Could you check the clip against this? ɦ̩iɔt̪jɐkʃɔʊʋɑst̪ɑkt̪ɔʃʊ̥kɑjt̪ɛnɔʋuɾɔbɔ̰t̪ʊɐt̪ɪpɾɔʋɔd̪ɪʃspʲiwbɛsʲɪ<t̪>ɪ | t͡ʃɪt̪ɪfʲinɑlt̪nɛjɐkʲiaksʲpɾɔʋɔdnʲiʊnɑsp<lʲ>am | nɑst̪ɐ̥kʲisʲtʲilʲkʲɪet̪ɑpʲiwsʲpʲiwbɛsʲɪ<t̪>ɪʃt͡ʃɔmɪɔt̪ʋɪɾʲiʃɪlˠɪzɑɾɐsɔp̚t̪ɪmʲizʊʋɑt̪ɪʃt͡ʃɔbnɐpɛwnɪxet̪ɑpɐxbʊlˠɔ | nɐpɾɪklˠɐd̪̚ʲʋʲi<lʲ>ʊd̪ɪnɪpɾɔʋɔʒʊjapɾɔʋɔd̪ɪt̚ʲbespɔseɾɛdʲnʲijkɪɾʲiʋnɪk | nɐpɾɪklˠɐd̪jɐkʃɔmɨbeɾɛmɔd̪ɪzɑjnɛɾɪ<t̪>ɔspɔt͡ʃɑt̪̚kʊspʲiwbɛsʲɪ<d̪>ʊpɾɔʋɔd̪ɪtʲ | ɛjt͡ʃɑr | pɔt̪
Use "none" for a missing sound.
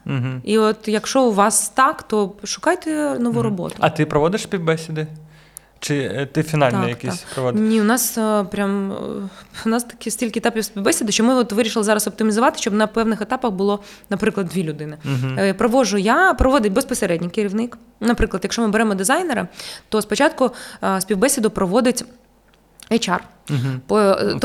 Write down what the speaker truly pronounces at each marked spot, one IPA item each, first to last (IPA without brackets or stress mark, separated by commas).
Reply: d̪, ɾʲ, d̪, lʲ, t̪, d̪